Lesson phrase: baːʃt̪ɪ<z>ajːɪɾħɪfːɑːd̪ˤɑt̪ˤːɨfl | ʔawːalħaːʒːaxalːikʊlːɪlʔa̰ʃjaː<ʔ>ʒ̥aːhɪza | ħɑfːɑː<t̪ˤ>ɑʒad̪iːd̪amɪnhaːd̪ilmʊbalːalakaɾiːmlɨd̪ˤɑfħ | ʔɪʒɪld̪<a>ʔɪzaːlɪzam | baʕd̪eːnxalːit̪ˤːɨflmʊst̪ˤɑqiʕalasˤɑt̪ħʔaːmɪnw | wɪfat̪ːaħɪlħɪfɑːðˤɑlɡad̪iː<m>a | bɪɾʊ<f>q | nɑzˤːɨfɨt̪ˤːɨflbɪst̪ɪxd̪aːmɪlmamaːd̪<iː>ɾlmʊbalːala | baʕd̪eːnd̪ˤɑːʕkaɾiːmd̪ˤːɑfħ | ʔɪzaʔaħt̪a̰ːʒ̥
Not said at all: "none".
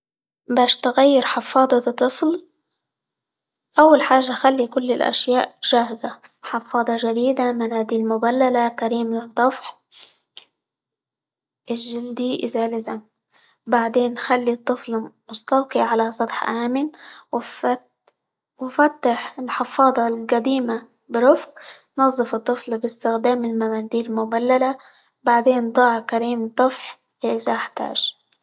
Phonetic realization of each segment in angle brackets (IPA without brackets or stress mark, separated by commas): ɣ, ʔ, d̪ˤ, i, m, f, iː